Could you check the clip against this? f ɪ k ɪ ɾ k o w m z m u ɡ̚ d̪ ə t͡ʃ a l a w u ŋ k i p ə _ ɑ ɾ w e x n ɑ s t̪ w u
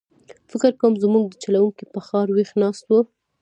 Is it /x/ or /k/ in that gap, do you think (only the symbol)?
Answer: x